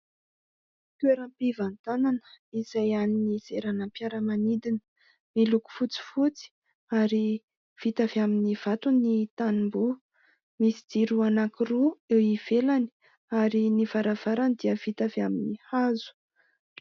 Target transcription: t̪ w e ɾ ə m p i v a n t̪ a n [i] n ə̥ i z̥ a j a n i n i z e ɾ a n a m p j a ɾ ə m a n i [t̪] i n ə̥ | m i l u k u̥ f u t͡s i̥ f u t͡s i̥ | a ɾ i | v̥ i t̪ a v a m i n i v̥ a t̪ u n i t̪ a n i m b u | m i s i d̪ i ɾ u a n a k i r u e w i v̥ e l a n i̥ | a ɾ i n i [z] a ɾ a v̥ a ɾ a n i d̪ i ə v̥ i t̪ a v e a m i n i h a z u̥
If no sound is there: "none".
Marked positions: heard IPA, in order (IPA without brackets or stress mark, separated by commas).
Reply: a, d̪, v